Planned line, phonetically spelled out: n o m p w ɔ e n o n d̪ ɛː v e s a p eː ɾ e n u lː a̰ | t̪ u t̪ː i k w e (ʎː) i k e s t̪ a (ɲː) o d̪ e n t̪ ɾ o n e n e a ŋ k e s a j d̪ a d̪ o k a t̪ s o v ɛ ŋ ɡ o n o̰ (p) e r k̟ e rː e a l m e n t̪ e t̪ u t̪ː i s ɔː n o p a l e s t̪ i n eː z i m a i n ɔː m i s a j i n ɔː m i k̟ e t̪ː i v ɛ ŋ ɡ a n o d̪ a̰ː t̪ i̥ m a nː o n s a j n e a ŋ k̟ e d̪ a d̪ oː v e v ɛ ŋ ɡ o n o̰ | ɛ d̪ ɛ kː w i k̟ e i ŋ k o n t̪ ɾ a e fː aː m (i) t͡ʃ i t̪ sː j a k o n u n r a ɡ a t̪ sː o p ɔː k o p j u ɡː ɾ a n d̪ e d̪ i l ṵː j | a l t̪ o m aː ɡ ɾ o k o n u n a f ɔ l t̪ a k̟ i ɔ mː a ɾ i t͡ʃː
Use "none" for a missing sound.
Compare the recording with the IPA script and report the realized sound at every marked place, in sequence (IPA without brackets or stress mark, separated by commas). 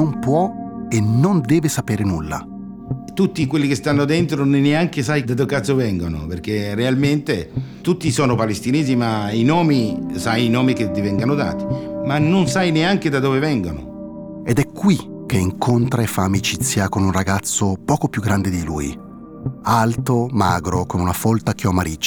lː, nː, p, i